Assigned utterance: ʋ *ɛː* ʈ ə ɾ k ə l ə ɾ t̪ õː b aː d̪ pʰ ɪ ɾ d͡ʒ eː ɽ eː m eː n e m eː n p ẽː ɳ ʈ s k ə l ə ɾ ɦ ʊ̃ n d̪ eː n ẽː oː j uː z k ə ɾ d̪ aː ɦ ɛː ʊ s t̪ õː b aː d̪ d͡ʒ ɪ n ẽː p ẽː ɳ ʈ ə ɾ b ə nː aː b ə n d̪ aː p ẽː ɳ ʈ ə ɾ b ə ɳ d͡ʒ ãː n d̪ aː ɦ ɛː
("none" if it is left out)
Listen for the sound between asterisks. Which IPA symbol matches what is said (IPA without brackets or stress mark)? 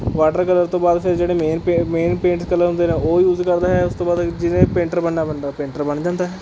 aː